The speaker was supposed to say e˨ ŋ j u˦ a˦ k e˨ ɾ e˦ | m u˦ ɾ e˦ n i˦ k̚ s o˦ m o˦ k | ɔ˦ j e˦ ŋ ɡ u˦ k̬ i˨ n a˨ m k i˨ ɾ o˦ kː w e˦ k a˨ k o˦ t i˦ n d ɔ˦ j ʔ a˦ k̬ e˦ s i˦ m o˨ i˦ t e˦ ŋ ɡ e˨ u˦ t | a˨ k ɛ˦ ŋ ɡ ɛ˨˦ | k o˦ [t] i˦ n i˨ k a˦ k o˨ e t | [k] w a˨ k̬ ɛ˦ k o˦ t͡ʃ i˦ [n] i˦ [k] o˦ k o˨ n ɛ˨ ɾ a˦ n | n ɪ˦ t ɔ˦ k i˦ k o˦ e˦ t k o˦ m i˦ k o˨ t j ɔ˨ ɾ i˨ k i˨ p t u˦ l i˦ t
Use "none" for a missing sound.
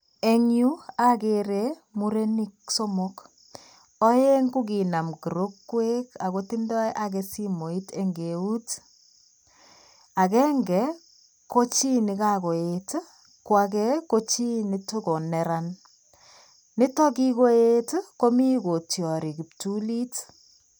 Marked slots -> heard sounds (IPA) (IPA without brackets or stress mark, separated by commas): t͡ʃ, k, n, t